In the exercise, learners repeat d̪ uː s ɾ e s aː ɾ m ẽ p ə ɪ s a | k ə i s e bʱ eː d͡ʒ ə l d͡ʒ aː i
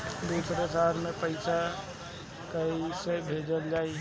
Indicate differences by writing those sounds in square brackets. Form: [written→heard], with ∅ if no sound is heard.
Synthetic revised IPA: d̪ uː s ɾ e s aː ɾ m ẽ p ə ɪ s a | k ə i s e bʱ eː d͡ʒ ə l d͡ʒ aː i